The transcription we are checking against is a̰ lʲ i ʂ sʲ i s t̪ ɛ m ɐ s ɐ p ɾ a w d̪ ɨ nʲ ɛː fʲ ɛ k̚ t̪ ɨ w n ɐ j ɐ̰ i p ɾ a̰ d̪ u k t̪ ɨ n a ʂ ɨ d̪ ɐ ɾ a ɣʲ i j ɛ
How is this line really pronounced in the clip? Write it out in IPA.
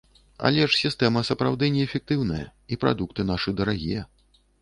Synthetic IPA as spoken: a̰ lʲ ɛ ʂ sʲ i s t̪ ɛ m ɐ s ɐ p ɾ a w d̪ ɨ nʲ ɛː fʲ ɛ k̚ t̪ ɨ w n ɐ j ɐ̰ i p ɾ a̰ d̪ u k t̪ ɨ n a ʂ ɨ d̪ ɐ ɾ a ɣʲ i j ɛ